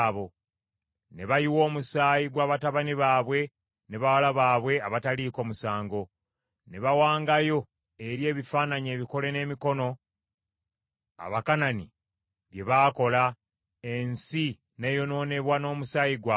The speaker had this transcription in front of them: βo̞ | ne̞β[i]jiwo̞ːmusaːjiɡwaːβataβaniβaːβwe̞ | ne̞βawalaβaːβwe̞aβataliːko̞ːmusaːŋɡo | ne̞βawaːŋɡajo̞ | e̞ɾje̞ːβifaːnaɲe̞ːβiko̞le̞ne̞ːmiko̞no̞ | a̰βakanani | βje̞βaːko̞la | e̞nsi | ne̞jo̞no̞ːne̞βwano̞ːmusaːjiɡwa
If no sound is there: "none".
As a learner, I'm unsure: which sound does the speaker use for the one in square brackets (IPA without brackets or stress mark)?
a